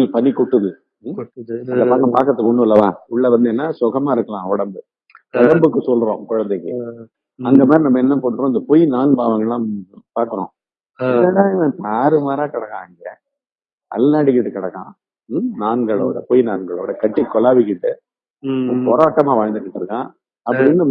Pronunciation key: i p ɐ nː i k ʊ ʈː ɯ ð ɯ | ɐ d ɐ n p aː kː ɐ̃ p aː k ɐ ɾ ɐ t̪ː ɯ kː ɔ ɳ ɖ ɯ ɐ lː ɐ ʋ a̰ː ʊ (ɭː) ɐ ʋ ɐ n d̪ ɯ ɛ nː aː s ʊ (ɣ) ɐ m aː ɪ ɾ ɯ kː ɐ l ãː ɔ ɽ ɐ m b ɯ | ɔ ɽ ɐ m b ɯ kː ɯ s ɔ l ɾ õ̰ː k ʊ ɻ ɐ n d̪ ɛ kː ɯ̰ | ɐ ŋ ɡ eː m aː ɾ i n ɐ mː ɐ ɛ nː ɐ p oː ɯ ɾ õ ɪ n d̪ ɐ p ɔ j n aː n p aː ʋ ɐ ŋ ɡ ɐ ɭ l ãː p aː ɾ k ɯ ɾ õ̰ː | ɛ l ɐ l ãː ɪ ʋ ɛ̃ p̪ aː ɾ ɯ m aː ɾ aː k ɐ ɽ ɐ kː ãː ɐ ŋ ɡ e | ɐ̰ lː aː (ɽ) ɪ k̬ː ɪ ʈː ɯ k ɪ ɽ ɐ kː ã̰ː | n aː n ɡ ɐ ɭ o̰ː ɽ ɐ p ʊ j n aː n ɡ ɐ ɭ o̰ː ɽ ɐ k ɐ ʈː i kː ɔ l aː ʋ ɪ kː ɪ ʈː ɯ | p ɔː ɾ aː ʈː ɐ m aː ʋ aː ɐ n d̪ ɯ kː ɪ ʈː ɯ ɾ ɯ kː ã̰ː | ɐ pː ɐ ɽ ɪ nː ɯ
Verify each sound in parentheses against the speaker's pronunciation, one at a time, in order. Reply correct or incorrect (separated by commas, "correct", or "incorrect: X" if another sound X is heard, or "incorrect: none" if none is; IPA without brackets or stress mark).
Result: correct, correct, correct